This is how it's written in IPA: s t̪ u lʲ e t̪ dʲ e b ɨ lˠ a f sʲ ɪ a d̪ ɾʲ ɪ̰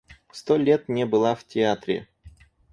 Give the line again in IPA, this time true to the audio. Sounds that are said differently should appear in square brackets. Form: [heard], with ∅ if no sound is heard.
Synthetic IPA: s t̪ [o] lʲ e t̪ [nʲ] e b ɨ lˠ a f [tʲ] ɪ a [t̪] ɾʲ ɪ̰